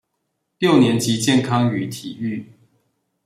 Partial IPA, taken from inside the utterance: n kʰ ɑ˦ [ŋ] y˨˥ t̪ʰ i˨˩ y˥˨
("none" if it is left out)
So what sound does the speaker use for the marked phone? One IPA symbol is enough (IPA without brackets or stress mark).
ŋ